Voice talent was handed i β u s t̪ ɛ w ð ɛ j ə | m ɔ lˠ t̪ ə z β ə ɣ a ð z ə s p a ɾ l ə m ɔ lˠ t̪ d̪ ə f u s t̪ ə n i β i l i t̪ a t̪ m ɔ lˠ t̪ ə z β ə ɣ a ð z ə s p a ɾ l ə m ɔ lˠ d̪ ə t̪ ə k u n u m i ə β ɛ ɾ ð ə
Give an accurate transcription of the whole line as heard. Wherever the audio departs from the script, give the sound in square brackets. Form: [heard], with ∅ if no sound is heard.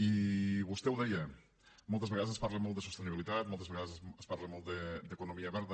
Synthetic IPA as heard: i β u s t̪ ɛ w ð ɛ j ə | m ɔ lˠ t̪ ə z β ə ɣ a ð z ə s p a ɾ l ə m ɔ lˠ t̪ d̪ ə [s] u s t̪ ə n i β i l i t̪ a t̪ m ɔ lˠ t̪ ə z β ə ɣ a ð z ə s p a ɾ l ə m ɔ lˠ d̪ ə [d̪] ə k u n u m i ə β ɛ ɾ ð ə